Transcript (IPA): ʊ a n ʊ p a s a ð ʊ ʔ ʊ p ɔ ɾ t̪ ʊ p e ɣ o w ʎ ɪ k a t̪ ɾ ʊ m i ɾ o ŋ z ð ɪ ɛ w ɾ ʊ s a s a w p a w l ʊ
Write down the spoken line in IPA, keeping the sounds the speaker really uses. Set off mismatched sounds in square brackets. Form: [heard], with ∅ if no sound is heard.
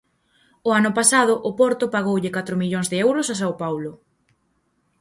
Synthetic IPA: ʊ a n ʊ p a s a ð ʊ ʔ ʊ p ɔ ɾ t̪ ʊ p [a] ɣ o w ʎ ɪ k a t̪ ɾ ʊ m i [ʎ] o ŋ z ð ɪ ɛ w ɾ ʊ s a s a w p a w l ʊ